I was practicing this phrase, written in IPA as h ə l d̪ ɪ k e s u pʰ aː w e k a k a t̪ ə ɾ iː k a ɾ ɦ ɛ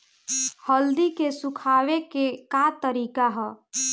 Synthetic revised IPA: h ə l d̪ i k e s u kʰ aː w e k e k a t̪ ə ɾ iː k a ɦ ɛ